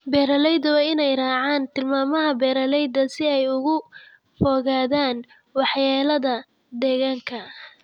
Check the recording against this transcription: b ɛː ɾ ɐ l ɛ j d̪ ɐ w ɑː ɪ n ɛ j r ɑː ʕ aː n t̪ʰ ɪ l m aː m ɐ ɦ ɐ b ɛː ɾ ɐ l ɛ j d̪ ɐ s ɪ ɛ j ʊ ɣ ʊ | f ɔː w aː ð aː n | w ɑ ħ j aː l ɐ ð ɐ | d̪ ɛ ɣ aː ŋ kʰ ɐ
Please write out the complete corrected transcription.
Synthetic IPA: b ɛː ɾ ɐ l ɛ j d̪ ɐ w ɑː ɪ n ɛ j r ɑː ʕ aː n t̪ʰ ɪ l m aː m ɐ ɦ ɐ b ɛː ɾ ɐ l ɛ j d̪ ɐ s ɪ ɛ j ʊ ɣ ʊ | f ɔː ɣ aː ð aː n | w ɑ ħ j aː l ɐ ð ɐ | d̪ ɛ ɣ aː ŋ kʰ ɐ